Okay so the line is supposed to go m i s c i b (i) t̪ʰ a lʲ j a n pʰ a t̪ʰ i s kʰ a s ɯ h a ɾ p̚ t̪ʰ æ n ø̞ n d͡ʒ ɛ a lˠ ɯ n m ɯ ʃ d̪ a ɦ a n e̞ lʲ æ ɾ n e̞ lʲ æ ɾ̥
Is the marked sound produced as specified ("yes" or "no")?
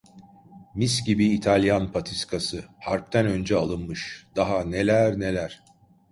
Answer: no